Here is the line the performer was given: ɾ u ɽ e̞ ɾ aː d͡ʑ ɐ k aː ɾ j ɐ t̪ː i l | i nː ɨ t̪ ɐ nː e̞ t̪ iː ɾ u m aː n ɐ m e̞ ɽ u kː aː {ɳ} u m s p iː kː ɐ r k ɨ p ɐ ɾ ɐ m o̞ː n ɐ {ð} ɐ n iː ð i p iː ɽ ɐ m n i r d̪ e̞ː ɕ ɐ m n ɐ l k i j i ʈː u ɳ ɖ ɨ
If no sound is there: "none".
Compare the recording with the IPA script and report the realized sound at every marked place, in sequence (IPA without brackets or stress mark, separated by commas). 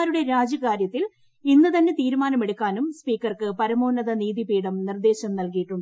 n, ð